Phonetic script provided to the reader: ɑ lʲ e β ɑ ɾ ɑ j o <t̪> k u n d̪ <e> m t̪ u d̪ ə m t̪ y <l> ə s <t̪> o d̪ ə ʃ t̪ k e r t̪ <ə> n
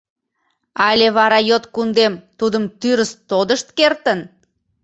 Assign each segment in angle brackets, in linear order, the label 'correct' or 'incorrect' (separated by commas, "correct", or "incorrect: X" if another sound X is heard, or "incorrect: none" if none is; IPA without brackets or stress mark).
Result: correct, correct, incorrect: ɾ, correct, correct